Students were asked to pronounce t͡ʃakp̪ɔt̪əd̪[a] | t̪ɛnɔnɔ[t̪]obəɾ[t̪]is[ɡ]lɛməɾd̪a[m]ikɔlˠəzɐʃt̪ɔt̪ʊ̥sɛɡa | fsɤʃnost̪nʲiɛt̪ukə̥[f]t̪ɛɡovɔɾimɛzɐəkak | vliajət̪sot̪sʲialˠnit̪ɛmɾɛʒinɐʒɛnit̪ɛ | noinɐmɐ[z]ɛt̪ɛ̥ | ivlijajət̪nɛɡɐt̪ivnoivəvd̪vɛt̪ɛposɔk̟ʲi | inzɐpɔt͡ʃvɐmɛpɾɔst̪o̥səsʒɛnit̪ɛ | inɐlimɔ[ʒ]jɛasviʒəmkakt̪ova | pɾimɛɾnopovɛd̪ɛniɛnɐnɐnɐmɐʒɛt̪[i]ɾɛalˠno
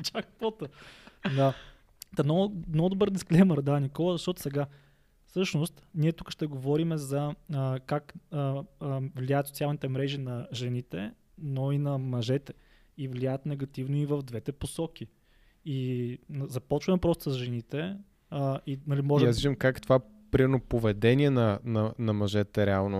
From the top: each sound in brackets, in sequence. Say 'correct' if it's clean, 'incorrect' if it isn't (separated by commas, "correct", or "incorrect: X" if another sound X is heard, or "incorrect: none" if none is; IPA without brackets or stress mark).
correct, incorrect: d̪, incorrect: d̪, incorrect: k, incorrect: n, incorrect: ʃ, incorrect: ʒ, correct, incorrect: ɛ